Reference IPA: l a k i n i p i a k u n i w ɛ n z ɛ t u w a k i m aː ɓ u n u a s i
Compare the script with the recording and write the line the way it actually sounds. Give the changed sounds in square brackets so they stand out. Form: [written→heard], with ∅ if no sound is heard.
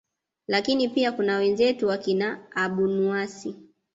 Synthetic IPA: l a k i n i p i a k u n [i→a] w ɛ n z ɛ t u w a k i [m→n] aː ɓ u n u a s i